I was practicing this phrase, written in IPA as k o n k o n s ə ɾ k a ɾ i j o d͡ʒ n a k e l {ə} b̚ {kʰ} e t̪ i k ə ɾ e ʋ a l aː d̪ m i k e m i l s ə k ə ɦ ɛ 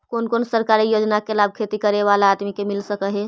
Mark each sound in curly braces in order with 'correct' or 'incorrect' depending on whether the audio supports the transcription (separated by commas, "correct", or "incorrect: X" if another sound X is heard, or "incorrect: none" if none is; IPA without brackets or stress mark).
incorrect: a, correct